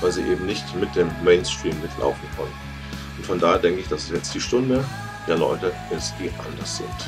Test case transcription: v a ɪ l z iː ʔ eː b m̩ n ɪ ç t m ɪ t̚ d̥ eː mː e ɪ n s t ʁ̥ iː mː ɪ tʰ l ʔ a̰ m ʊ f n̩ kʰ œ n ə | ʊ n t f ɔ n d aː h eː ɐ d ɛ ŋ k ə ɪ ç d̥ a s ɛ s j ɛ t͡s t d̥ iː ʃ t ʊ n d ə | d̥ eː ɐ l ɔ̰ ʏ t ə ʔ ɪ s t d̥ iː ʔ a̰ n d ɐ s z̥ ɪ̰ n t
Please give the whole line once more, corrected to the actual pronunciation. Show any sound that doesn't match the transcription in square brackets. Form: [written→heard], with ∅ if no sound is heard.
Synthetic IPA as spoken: v a ɪ l z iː ʔ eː b m̩ n ɪ ç t m ɪ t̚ d̥ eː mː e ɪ n s t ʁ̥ iː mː ɪ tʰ l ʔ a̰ [m→∅] ʊ f n̩ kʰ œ n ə | ʊ n t f ɔ n d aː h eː ɐ d ɛ ŋ k ə ɪ ç d̥ a s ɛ s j ɛ t͡s t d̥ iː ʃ t ʊ n d ə | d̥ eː ɐ l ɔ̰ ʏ t ə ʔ ɪ s t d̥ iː ʔ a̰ n d ɐ s z̥ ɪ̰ n t

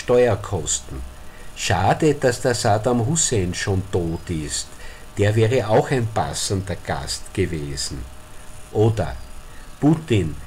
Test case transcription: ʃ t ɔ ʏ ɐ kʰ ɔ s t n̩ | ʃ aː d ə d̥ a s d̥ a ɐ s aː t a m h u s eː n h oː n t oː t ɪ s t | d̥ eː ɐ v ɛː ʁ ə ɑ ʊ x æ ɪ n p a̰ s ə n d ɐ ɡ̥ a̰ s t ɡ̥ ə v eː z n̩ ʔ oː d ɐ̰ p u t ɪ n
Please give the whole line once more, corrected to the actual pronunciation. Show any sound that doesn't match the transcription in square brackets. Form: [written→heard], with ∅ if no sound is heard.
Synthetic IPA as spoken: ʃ t ɔ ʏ ɐ kʰ ɔ s t n̩ | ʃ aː d ə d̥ a s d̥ a ɐ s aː [t→d] a m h u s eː n [h→ʃ] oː n t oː t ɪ s t | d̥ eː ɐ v ɛː ʁ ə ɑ ʊ x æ ɪ n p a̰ s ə n d ɐ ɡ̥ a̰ s t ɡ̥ ə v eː z n̩ ʔ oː d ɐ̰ p u t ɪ n

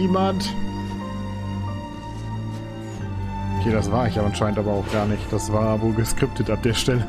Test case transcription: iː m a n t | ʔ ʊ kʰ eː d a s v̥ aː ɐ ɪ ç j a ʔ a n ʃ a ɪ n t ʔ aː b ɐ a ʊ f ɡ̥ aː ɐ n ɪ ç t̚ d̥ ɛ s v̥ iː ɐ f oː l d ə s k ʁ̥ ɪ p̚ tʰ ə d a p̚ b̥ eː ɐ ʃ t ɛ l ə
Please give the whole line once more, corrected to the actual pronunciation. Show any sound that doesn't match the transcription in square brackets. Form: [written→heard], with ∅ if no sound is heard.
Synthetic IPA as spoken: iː m a n t | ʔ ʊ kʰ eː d a s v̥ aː ɐ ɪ ç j a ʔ a n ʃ a ɪ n t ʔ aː b ɐ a ʊ [f→x] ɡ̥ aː ɐ n ɪ ç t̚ d̥ [ɛ→a] s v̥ [iː→aː] ɐ [f→v] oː l [d→ɡ] ə s k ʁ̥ ɪ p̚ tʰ ə [d→t] a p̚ [b̥→d̥] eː ɐ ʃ t ɛ l ə

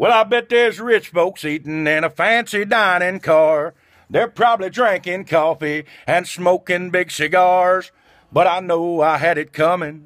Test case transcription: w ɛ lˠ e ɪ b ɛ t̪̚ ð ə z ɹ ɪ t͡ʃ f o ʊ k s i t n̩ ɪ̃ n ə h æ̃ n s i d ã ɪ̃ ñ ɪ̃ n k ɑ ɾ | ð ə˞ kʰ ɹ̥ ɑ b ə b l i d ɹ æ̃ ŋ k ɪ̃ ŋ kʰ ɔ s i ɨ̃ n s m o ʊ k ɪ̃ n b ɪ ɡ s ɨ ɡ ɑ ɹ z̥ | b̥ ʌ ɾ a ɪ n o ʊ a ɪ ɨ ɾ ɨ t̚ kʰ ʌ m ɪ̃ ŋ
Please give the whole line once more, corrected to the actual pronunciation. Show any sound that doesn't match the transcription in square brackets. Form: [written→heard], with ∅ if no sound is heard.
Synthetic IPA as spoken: w ɛ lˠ [e→a] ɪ b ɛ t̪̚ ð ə z ɹ ɪ t͡ʃ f o ʊ k s i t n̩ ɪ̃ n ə [h→f] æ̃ n s i d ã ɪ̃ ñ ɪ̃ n [k→kʰ] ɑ [ɾ→ɹ] | ð ə˞ [kʰ→pʰ] ɹ̥ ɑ b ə b l i d ɹ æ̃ ŋ k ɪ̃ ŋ kʰ ɔ [s→f] i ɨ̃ n s m o ʊ k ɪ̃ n b ɪ ɡ s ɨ ɡ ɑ ɹ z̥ | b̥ ʌ ɾ a ɪ n o ʊ a ɪ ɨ ɾ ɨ t̚ kʰ ʌ m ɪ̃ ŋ

